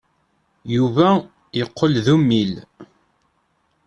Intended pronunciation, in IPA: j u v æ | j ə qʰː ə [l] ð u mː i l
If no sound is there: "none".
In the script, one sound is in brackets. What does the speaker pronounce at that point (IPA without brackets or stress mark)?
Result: l